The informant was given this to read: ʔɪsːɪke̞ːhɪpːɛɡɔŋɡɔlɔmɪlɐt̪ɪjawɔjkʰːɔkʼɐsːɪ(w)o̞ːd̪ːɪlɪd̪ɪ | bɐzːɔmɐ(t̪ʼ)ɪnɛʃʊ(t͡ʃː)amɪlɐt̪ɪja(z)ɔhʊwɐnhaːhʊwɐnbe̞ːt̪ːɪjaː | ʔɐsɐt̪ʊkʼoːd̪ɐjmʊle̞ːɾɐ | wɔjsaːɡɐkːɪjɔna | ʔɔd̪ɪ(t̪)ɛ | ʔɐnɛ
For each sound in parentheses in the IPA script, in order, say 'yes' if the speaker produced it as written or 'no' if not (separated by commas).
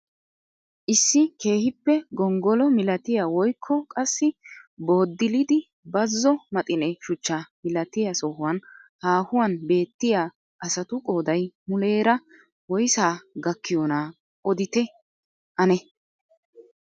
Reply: no, yes, yes, no, yes